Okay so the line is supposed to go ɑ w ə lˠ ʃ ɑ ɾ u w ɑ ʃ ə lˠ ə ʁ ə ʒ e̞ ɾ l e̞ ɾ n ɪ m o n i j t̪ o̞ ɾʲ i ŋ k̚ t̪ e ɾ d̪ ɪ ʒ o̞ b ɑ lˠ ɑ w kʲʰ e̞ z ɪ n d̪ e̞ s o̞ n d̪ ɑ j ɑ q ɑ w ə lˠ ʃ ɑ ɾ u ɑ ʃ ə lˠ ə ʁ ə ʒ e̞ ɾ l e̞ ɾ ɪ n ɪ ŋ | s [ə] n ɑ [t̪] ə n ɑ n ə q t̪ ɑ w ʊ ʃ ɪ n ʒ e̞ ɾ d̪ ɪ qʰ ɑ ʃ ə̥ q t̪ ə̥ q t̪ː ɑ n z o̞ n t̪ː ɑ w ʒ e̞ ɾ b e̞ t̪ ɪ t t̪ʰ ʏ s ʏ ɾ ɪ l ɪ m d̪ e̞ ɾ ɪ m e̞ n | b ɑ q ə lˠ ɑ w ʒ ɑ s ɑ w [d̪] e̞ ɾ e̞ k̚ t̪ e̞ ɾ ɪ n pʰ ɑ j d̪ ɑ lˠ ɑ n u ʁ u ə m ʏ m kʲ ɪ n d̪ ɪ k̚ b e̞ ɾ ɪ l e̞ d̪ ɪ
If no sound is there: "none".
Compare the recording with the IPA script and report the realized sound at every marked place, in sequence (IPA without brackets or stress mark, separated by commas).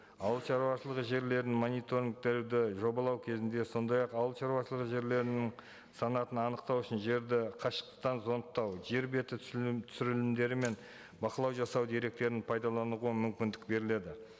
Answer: ɑ, t̪, d̪